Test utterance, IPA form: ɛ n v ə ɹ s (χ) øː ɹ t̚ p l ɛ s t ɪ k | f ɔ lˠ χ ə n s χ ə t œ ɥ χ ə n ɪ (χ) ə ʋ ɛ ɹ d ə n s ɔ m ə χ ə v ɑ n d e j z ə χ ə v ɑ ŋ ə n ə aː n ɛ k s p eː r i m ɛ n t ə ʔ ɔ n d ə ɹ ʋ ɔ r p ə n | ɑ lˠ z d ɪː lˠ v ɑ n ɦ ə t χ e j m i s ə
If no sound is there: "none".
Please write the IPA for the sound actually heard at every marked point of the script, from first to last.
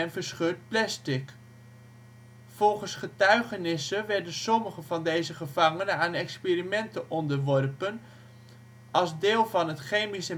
χ, s

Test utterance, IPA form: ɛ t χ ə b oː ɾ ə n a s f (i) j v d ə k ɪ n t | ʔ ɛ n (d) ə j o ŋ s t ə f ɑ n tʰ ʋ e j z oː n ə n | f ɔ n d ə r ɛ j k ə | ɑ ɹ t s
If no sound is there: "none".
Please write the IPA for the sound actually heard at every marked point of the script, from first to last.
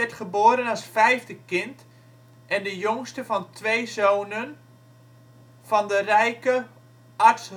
ɛ, d

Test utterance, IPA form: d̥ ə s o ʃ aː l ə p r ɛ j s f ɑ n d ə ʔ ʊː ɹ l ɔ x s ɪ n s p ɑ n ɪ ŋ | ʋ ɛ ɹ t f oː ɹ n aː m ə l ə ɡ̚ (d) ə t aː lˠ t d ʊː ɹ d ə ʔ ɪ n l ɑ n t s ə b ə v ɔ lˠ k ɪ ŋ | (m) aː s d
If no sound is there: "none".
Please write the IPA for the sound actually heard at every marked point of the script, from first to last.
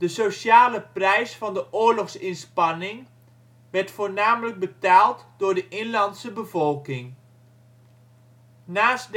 b, n

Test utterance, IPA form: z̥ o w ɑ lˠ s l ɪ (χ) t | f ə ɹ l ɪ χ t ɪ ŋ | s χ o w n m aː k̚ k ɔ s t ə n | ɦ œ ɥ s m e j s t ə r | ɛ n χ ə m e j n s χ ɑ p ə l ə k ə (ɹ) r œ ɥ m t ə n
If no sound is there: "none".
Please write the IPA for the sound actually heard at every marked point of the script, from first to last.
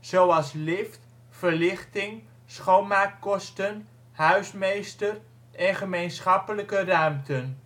f, none

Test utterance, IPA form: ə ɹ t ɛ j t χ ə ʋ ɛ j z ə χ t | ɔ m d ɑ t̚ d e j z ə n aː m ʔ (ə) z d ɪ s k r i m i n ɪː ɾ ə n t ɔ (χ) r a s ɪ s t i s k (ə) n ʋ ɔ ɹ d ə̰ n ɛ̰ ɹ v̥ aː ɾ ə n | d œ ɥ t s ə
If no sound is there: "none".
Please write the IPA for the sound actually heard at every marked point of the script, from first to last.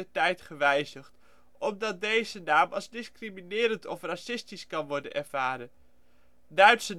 ɑ, f, ɑ

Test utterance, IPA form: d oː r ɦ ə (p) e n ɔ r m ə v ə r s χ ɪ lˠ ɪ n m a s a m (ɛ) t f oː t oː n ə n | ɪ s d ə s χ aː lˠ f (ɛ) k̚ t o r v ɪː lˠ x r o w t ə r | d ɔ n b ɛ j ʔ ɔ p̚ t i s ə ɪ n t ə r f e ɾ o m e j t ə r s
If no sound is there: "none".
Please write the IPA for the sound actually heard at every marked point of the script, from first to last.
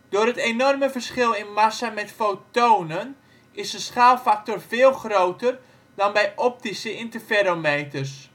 t, ɛ, a

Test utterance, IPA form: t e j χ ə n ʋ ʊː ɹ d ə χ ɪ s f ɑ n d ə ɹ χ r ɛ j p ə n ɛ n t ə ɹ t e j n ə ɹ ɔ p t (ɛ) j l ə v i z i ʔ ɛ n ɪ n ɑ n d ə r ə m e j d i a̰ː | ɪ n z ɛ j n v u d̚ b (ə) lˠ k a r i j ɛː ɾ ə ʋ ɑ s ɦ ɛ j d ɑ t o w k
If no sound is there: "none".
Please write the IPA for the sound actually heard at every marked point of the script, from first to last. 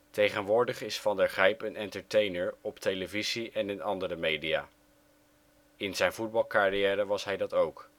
e, ɑ

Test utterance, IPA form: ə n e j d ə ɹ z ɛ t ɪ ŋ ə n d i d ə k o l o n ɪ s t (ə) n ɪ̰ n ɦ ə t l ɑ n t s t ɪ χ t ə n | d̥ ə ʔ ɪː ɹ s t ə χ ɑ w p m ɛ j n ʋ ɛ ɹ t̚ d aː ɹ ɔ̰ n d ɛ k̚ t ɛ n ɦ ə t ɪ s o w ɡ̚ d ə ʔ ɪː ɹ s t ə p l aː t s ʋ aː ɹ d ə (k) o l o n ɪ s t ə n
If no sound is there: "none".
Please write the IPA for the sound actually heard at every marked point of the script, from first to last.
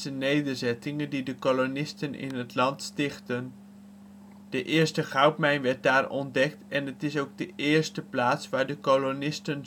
ə, k

